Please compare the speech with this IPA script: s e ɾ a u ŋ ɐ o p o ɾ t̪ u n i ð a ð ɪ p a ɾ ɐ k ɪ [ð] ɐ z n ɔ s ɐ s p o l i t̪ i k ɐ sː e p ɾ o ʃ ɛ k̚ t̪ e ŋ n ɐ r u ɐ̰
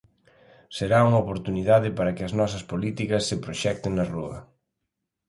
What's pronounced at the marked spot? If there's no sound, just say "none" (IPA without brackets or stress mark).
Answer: none